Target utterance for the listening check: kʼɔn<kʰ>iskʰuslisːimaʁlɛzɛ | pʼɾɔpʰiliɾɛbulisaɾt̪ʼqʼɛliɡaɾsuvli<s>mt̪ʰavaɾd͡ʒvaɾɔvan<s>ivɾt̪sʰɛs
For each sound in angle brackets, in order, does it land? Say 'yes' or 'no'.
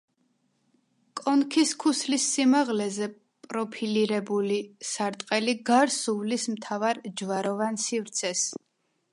yes, yes, yes

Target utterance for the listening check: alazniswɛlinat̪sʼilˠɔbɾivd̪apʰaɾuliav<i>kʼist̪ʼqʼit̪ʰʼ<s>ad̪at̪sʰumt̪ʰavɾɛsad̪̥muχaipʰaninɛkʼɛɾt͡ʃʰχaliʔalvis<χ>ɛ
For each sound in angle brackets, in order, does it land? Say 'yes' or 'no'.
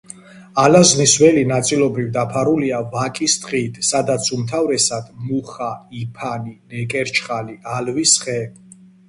no, yes, yes

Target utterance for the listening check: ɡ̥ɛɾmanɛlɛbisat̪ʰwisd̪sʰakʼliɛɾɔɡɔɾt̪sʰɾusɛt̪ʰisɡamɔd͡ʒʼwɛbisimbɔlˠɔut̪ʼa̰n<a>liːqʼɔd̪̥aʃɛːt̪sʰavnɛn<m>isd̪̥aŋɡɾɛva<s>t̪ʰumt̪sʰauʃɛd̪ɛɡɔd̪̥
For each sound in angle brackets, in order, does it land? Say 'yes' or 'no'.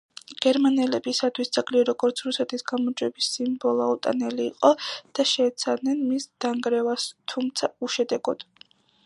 no, yes, yes

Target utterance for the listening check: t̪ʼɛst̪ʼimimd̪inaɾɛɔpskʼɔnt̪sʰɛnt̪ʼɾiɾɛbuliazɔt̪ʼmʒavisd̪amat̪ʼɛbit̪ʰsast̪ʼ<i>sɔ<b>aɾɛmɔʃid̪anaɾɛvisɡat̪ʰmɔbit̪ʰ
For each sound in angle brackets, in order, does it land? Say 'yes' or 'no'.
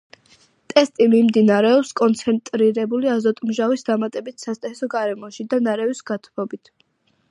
no, no

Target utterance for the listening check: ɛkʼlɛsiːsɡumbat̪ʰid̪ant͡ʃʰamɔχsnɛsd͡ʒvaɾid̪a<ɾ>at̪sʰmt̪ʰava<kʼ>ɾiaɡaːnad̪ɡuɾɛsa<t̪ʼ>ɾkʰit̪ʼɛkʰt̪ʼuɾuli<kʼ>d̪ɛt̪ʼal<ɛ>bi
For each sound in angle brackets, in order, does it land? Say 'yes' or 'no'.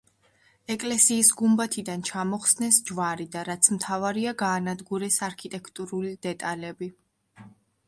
yes, no, no, no, yes

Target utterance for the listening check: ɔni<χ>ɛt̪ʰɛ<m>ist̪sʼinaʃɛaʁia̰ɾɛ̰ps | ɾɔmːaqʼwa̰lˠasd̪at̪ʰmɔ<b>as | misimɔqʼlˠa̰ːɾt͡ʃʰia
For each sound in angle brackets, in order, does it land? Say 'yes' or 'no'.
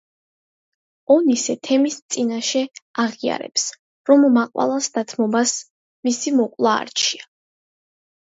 no, yes, yes

